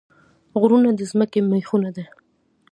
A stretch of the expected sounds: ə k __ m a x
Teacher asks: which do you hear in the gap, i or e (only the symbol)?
e